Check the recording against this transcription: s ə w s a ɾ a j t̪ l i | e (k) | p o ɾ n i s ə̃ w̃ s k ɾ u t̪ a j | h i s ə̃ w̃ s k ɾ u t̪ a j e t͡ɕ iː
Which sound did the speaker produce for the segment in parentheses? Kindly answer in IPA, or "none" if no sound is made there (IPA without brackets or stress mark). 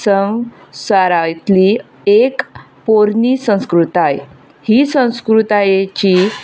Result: k